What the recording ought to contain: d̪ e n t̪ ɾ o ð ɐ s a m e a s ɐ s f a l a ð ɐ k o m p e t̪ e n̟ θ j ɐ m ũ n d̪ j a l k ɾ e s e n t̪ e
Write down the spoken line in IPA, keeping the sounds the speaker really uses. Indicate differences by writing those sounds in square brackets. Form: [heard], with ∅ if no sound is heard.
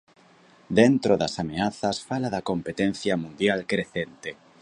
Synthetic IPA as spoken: d̪ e n t̪ ɾ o ð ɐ s a m e a [θ] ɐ s f a l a ð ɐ k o m p e t̪ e n̟ θ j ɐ m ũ n d̪ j a l k ɾ e [θ] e n t̪ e